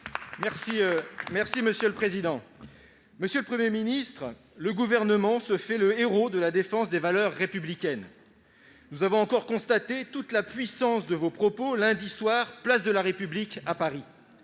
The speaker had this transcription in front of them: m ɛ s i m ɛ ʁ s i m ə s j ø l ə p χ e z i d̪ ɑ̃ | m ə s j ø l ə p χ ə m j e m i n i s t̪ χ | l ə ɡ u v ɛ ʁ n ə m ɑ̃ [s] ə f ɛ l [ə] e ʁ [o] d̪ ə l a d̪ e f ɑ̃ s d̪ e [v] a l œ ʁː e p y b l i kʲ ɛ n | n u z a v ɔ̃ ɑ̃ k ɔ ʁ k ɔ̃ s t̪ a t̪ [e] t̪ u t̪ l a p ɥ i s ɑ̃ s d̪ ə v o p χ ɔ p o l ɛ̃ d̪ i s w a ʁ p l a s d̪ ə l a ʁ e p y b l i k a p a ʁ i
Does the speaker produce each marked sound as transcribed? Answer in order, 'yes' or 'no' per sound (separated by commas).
yes, yes, yes, yes, yes